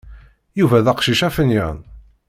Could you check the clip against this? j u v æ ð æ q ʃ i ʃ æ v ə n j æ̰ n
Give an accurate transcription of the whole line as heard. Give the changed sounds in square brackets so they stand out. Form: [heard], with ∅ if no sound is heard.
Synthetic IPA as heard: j u v æ ð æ q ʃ i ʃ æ [f] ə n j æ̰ n